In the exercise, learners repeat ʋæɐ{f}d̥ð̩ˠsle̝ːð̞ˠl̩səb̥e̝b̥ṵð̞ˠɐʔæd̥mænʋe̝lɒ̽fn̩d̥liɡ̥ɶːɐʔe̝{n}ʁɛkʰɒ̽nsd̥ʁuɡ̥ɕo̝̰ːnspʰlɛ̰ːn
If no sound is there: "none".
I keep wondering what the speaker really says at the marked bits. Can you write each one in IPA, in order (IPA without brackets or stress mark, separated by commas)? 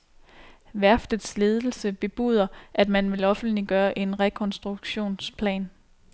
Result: f, n